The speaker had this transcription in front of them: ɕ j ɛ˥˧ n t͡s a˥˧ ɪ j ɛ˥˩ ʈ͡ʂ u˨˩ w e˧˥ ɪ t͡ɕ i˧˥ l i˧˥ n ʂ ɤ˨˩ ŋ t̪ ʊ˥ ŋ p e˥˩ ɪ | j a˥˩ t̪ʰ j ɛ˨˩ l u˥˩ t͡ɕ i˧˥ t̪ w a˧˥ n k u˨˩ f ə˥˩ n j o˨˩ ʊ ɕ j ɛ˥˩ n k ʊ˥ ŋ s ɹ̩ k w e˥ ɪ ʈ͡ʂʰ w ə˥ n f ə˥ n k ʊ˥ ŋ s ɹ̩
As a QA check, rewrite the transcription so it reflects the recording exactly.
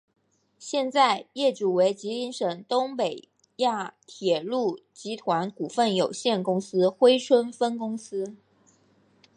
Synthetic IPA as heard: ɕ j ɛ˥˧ n t͡s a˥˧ ɪ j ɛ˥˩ ʈ͡ʂ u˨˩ w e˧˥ ɪ t͡ɕ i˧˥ l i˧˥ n ʂ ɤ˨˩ ŋ t̪ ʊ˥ ŋ p e˨˩ ɪ | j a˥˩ t̪ʰ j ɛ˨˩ l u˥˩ t͡ɕ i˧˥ t̪ʰ w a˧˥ n k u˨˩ f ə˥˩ n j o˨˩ ʊ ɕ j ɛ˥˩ n k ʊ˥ ŋ s ɹ̩ x w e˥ ɪ ʈ͡ʂʰ w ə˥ n f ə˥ n k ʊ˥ ŋ s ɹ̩

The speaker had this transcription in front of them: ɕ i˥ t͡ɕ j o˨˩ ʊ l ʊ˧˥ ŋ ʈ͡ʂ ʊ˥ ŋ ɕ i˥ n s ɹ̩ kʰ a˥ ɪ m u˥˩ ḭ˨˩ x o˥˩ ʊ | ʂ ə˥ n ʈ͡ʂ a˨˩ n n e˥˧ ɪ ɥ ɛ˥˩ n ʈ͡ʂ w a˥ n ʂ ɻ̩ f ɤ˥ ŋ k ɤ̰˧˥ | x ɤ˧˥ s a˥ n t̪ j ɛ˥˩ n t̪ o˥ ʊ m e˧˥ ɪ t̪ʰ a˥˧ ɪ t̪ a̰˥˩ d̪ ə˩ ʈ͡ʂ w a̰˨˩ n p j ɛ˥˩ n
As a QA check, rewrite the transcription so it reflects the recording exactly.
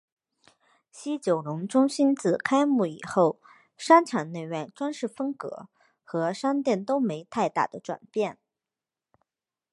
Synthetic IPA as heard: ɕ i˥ t͡ɕ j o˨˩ ʊ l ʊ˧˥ ŋ ʈ͡ʂ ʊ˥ ŋ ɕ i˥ n t͡s ɹ̩ kʰ a˥ ɪ m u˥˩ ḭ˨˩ x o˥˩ ʊ | ʂ a˥ n ʈ͡ʂʰ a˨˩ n n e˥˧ ɪ ɥ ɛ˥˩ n ʈ͡ʂ w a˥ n ʂ ɻ̩ f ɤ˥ ŋ k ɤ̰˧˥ | x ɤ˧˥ ʂ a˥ n t̪ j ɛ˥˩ n t̪ o˥ ʊ m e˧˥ ɪ t̪ʰ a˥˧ ɪ t̪ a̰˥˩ d̪ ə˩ ʈ͡ʂ w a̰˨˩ n p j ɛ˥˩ n

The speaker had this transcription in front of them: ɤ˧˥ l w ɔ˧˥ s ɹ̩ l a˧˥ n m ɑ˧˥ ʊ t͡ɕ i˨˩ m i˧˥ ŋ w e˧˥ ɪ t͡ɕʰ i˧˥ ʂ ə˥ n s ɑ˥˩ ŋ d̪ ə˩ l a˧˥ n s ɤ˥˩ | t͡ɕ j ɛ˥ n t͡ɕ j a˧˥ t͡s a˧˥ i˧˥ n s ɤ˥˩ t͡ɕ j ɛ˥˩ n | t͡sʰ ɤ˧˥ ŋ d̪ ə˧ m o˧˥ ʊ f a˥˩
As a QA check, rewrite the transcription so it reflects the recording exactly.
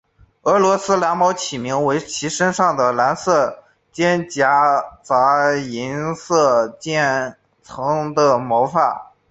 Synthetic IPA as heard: ɤ˧˥ l w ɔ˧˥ s ɹ̩ l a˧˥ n m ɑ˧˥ ʊ t͡ɕʰ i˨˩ m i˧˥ ŋ w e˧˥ ɪ t͡ɕʰ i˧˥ ʂ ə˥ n ʂ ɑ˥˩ ŋ d̪ ə˩ l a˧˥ n s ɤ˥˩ | t͡ɕ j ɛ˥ n t͡ɕ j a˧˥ t͡s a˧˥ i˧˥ n s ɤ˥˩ t͡ɕ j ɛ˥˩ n | t͡sʰ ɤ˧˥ ŋ d̪ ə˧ m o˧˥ ʊ f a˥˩

